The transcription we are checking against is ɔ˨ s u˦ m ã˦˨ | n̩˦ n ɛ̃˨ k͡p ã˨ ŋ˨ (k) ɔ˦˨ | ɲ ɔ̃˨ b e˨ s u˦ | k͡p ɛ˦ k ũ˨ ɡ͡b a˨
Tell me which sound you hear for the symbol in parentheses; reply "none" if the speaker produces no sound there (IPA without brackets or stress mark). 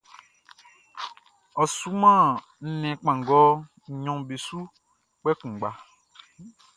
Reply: ɡ